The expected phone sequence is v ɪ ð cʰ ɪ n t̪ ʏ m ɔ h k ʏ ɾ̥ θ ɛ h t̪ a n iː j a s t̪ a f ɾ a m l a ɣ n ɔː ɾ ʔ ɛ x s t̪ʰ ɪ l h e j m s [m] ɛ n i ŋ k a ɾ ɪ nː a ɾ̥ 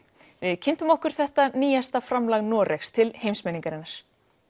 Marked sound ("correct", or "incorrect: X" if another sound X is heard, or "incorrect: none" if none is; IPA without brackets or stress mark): correct